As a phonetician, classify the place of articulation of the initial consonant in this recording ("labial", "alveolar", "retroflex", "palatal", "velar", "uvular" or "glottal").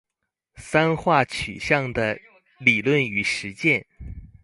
alveolar